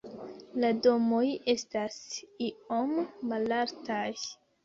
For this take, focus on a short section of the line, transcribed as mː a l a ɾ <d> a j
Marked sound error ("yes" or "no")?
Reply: yes